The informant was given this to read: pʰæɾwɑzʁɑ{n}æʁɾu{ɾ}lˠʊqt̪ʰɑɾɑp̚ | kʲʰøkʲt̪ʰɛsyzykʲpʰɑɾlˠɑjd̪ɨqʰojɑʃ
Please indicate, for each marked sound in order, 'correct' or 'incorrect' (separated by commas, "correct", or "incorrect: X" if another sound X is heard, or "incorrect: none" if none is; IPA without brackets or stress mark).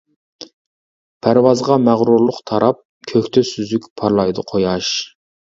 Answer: incorrect: m, correct